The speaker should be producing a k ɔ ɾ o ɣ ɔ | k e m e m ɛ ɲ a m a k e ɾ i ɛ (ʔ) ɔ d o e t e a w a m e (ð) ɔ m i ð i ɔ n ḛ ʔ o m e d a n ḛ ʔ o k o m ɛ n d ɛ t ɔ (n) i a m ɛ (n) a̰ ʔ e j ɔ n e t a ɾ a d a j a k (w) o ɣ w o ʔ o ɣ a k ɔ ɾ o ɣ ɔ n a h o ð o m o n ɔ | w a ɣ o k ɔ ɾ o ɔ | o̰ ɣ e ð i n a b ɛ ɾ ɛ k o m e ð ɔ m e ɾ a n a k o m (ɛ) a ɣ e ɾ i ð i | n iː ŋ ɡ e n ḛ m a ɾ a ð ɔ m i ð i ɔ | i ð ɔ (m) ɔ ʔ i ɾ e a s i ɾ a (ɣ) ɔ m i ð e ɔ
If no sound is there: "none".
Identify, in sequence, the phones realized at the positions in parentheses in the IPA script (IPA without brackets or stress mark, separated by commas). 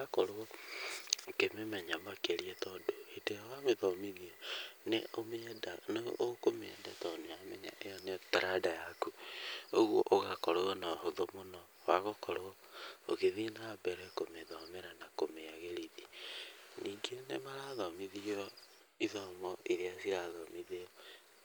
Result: t, ð, n, ɲ, u, e, m, ð